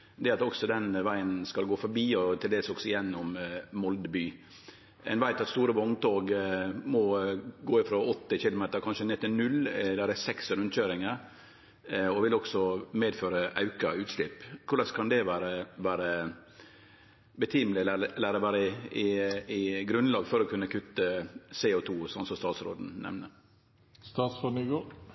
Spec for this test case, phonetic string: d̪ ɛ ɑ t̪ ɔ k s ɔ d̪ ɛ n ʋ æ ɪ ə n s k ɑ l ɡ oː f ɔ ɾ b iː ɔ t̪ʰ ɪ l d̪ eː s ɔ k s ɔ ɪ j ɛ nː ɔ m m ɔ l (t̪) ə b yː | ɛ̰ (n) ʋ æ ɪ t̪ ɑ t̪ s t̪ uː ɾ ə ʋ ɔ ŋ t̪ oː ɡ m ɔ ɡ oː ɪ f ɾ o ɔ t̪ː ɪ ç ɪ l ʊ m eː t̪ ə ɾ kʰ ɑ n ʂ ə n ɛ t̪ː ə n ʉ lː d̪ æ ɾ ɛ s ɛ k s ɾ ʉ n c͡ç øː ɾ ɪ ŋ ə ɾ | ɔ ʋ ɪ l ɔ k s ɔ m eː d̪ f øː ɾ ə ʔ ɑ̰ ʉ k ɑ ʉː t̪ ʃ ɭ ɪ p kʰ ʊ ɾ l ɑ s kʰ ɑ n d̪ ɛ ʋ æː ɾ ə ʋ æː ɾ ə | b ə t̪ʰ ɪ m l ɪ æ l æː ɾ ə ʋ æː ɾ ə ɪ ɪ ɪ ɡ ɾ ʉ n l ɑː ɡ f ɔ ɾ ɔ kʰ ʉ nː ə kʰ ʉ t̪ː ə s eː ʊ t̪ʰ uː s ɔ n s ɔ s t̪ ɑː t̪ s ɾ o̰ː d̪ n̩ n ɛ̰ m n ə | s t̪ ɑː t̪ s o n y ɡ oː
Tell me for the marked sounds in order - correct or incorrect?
incorrect: d̪, correct

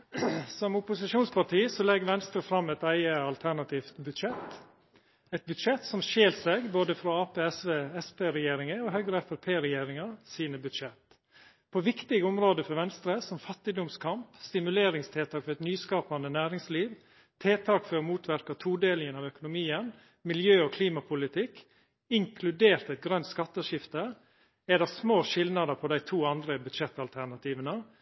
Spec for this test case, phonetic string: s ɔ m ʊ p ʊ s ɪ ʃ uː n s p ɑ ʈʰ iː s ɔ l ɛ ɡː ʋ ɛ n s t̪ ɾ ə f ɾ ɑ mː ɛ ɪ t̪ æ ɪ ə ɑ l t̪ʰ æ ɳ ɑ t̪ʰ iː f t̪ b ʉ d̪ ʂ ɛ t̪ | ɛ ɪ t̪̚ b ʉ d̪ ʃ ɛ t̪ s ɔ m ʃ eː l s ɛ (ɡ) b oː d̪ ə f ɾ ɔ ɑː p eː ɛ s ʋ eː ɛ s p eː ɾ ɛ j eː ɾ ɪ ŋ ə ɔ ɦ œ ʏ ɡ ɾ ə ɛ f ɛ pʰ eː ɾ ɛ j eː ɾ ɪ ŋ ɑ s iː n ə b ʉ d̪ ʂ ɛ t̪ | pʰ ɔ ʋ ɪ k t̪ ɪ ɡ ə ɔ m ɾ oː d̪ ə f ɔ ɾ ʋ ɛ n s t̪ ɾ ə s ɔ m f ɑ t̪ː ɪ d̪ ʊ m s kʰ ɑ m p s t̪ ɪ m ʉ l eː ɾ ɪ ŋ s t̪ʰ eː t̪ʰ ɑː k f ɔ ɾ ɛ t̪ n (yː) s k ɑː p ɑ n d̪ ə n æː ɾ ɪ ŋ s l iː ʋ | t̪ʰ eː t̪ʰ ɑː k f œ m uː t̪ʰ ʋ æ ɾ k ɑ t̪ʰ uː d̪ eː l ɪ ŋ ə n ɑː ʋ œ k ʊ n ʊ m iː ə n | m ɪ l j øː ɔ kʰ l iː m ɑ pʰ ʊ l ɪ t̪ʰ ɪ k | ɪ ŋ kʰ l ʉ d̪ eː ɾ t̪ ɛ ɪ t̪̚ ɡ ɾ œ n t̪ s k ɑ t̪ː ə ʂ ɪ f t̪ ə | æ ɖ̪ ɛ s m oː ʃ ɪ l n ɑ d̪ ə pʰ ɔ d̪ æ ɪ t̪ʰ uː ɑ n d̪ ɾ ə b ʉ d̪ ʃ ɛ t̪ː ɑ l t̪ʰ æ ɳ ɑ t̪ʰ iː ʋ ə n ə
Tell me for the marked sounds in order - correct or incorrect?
correct, correct

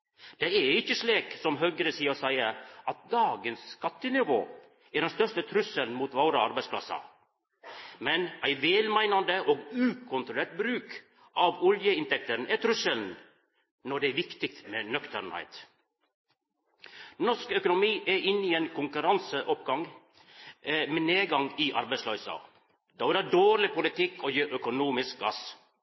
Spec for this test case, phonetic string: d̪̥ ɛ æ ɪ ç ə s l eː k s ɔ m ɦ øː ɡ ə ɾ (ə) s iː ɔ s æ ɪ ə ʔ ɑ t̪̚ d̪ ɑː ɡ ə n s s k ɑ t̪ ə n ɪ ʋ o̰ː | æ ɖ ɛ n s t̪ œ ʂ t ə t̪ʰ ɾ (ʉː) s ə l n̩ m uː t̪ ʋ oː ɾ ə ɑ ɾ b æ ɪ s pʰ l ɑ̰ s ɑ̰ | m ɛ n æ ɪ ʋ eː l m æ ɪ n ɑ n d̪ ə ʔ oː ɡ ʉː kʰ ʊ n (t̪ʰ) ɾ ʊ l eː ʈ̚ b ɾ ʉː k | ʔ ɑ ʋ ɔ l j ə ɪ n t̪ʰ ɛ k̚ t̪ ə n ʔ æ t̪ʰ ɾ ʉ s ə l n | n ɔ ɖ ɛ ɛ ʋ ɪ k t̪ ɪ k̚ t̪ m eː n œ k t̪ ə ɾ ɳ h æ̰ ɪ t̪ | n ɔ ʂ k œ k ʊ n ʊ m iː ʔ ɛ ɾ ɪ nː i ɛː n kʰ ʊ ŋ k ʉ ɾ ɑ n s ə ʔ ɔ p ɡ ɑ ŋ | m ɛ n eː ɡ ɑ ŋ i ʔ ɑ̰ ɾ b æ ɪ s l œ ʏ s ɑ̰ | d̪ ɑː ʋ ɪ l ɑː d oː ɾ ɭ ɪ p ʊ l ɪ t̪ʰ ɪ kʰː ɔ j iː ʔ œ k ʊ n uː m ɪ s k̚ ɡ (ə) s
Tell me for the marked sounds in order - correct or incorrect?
correct, incorrect: ʉ, incorrect: t̪, incorrect: ɑ

